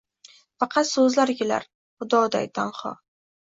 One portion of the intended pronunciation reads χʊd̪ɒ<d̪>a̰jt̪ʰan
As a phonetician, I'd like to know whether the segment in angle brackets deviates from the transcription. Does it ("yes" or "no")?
no